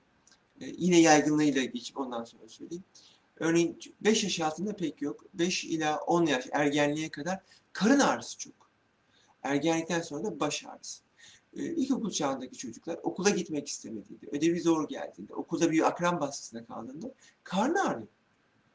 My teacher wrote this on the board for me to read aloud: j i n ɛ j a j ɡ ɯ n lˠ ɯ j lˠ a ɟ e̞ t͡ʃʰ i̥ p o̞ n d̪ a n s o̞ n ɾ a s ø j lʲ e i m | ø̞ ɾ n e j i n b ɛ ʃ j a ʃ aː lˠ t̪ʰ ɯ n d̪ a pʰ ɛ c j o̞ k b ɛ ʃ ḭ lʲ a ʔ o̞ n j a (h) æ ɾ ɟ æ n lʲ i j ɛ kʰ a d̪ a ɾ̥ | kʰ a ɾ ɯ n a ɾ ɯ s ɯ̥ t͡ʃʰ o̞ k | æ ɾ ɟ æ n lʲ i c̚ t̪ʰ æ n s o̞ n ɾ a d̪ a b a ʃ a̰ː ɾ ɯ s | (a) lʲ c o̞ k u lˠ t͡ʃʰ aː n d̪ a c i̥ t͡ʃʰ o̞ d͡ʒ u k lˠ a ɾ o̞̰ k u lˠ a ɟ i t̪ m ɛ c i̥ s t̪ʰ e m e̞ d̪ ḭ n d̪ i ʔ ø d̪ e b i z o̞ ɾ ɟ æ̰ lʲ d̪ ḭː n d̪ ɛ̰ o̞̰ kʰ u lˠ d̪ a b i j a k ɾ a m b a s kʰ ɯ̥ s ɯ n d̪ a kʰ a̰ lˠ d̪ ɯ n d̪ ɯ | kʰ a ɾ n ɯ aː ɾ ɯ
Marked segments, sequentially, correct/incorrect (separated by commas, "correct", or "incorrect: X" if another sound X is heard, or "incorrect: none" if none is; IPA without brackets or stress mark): incorrect: ʃ, incorrect: i